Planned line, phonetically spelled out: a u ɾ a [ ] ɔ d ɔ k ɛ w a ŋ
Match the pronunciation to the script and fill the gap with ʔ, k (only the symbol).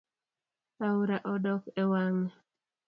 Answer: ʔ